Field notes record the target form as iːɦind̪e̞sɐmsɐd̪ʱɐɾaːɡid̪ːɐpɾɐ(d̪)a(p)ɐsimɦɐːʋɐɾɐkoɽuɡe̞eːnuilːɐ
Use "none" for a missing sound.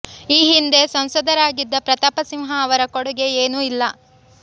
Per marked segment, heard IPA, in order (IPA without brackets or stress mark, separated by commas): t̪, p